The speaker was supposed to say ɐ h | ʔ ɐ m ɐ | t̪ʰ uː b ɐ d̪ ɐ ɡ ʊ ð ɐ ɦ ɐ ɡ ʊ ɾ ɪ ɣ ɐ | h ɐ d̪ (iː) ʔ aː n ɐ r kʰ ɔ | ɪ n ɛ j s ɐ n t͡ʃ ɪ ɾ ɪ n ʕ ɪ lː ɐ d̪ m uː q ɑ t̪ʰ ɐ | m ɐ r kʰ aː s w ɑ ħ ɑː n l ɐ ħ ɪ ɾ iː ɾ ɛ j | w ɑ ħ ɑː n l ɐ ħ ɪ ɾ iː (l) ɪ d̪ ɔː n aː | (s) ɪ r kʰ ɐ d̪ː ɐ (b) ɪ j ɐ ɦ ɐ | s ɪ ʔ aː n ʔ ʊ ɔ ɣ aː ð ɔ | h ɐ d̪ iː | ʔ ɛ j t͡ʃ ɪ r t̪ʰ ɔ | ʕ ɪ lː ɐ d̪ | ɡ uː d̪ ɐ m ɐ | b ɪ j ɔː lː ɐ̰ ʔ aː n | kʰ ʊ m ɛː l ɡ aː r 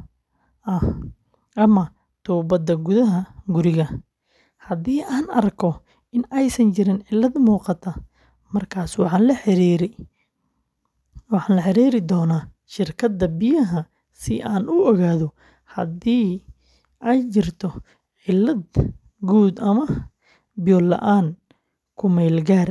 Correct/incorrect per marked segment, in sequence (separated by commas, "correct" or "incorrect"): correct, incorrect, incorrect, correct